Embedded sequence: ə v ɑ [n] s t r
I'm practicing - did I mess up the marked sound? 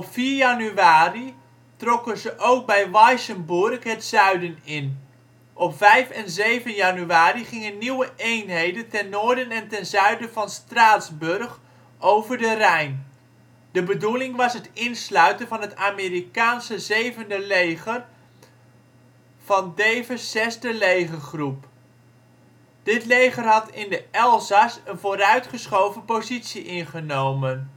no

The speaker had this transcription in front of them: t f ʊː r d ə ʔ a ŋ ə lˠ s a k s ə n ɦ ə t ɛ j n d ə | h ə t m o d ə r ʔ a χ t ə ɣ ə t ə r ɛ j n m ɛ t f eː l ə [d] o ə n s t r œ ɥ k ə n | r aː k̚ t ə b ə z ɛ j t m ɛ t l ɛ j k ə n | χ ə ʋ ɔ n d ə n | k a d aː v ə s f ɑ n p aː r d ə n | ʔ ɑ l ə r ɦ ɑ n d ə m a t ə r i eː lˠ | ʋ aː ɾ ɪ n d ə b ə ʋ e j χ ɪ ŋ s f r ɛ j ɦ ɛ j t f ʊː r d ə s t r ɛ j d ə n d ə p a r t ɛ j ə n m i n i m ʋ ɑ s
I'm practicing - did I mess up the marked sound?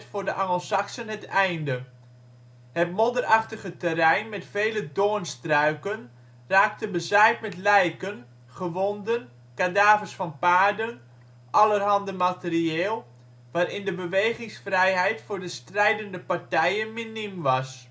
no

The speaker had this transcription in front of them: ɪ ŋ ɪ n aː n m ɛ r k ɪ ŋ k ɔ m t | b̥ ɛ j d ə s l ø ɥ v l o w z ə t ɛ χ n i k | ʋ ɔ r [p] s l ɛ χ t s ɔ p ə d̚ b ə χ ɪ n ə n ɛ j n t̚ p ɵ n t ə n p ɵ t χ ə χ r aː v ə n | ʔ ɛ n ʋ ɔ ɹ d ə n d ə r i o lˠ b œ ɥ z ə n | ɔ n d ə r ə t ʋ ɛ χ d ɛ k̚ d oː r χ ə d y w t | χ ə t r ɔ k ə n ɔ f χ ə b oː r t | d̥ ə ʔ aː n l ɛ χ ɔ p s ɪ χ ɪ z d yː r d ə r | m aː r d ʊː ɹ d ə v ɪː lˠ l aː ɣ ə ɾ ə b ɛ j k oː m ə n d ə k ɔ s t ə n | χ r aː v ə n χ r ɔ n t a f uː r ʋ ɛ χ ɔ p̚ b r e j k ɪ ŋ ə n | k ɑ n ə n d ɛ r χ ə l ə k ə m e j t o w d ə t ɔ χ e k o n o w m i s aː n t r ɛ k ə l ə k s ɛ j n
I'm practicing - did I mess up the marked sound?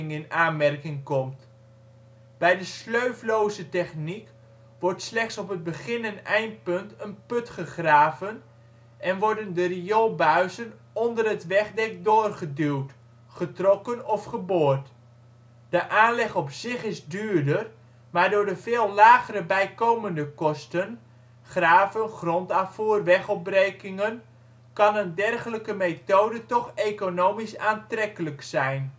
yes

